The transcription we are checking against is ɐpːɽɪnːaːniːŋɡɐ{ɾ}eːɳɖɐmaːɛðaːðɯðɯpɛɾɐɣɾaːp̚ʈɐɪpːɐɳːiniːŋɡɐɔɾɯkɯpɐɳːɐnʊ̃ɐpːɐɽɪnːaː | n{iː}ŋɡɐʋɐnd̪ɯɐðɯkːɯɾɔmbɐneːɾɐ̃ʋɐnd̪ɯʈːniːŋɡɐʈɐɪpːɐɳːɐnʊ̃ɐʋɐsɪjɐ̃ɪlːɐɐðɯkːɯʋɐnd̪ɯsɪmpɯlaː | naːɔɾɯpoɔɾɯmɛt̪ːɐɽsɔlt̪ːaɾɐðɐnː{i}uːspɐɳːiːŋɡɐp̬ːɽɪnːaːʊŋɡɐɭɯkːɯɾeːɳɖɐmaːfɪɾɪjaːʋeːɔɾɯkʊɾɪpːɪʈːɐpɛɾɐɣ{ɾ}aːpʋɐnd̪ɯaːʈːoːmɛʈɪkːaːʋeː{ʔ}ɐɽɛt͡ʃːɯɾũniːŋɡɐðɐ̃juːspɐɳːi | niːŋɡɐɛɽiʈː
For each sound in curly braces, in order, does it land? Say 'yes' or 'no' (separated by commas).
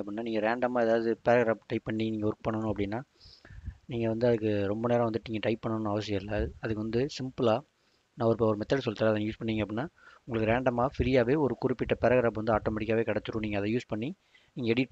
yes, yes, no, yes, no